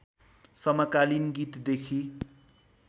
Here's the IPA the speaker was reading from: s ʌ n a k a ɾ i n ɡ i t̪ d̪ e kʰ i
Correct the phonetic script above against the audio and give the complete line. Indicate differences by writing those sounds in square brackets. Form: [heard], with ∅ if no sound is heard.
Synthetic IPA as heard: s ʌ [m] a k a [l] i n ɡ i t̪ d̪ e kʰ i